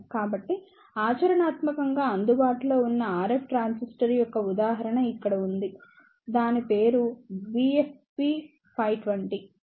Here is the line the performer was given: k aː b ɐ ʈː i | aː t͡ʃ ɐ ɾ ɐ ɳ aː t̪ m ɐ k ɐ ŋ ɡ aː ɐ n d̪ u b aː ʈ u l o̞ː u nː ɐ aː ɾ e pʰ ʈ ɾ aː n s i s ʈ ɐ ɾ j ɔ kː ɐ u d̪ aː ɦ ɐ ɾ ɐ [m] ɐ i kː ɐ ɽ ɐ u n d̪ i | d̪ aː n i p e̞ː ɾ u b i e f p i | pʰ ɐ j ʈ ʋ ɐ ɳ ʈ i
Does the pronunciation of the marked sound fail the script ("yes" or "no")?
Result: yes